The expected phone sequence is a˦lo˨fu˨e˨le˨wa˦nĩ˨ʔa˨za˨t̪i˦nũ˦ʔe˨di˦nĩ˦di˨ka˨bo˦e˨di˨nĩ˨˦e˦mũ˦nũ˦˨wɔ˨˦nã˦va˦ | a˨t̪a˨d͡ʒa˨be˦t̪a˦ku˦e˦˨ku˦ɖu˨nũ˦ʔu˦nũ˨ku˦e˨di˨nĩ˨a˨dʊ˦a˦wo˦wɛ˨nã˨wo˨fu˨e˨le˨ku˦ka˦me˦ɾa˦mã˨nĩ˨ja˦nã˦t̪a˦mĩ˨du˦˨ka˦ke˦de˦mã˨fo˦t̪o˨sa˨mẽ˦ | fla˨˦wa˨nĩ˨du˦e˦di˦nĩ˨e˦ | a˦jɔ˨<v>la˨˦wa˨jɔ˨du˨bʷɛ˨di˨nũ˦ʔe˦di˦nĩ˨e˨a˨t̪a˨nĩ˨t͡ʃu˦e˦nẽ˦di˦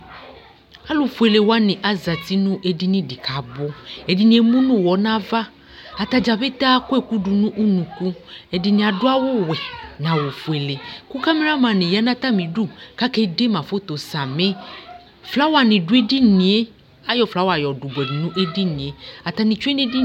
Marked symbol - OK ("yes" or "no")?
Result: no